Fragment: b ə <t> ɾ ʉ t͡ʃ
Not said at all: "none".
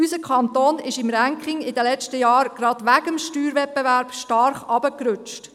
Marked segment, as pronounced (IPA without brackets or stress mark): k